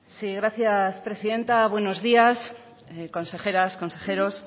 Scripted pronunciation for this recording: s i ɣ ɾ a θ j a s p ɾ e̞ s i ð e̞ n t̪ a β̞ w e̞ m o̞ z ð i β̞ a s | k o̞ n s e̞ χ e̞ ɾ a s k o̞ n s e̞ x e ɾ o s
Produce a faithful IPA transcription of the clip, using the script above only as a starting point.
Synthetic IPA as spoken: s i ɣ ɾ a θ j a s p ɾ e̞ s i ð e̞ n t̪ a β̞ w e̞ n o̞ z ð i a s | k o̞ n s e̞ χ e̞ ɾ a s k o̞ n s e̞ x e ɾ o s